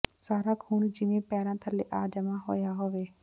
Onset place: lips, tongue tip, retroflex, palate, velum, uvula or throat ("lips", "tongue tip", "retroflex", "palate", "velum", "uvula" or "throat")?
tongue tip